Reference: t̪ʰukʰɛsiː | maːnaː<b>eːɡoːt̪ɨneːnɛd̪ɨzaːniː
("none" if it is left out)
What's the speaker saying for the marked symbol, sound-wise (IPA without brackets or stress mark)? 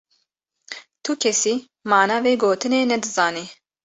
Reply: v